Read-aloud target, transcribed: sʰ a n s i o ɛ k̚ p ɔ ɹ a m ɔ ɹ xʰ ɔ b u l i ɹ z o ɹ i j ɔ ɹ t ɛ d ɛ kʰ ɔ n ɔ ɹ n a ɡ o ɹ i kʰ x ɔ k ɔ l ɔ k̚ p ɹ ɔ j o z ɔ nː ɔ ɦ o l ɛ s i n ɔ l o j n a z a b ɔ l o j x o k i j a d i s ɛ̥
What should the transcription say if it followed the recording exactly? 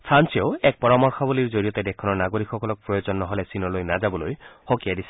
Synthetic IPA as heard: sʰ a n s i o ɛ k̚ p ɔ ɹ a m ɔ ɹ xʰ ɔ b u l i ɹ z o ɹ i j ɔ t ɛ d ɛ kʰ ɔ n ɔ ɹ n a ɡ o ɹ i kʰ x ɔ k ɔ l ɔ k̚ p ɹ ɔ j o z ɔ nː ɔ ɦ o l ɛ s i n ɔ l o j n a z a b ɔ l o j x o k i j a d i s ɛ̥